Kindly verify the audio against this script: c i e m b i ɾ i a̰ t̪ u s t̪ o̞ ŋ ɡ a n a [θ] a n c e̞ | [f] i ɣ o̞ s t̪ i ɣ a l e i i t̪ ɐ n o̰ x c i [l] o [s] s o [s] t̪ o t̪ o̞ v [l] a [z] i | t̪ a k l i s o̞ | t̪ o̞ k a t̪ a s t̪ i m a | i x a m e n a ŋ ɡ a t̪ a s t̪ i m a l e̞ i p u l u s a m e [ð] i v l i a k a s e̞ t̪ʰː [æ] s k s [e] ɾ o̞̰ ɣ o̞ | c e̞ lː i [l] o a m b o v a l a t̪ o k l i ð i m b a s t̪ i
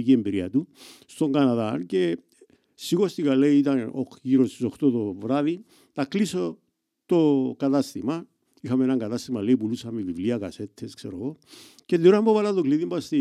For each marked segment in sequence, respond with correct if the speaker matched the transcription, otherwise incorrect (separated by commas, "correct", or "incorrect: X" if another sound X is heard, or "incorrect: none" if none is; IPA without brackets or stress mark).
incorrect: ð, incorrect: s, incorrect: ɾ, correct, incorrect: x, incorrect: ɾ, incorrect: ð, incorrect: v, incorrect: e, correct, incorrect: ɾ